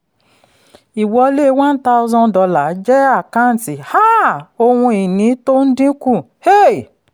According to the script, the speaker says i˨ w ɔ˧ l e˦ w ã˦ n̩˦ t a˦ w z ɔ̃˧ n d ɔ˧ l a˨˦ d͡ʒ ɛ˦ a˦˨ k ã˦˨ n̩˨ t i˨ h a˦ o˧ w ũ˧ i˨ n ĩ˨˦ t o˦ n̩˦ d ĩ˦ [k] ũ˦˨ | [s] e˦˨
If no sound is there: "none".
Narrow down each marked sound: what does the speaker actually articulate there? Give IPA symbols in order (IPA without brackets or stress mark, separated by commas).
k, h